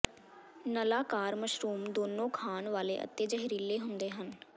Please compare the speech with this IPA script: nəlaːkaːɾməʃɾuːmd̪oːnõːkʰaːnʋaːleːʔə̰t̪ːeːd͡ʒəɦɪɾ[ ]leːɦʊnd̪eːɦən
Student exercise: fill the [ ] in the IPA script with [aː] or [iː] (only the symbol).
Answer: iː